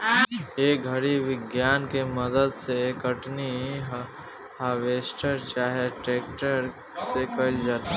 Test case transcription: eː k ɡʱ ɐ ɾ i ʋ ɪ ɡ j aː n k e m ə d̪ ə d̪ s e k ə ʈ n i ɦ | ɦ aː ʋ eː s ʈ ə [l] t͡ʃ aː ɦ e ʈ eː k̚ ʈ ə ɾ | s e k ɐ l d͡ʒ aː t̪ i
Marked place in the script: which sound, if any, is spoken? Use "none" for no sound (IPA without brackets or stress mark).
ɾ